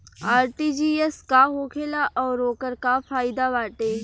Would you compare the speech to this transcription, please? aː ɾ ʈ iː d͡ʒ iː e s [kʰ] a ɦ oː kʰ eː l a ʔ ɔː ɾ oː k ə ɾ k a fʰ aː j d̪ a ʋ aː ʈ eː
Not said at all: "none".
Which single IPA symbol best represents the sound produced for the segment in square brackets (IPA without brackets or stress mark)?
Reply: k